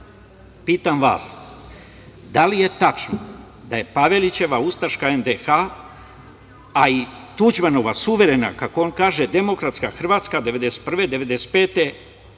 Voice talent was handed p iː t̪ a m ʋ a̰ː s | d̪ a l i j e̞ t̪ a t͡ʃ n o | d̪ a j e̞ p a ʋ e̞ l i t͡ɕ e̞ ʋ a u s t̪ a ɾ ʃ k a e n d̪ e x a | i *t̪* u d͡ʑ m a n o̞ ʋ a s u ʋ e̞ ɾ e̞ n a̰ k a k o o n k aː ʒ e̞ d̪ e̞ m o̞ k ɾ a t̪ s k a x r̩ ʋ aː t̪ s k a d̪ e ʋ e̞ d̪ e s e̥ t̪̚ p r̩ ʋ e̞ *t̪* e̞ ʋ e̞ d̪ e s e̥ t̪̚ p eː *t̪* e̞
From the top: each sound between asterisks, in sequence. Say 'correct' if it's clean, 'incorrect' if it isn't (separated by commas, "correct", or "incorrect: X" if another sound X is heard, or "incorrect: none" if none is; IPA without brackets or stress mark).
correct, incorrect: d̪, correct